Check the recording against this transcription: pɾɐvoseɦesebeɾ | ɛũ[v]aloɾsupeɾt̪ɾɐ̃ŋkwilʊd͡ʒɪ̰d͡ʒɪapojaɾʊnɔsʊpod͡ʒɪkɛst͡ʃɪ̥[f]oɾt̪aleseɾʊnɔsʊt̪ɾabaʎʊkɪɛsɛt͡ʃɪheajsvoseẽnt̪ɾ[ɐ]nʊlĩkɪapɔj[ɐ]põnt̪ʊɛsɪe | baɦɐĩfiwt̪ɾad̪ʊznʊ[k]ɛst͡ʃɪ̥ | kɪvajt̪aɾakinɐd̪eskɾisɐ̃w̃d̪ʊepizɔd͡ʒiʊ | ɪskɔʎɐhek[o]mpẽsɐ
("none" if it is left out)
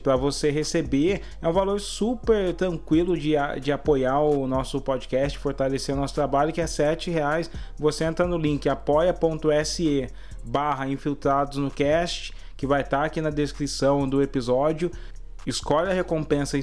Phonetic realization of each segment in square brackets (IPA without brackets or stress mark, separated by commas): v, f, ɐ, ɐ, k, õ